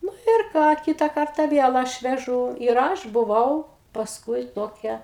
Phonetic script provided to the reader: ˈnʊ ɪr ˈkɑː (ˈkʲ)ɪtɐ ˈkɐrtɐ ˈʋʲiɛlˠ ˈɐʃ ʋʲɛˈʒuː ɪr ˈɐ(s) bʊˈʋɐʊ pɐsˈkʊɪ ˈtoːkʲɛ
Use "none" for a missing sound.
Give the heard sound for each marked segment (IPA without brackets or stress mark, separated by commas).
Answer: kʲ, ʃ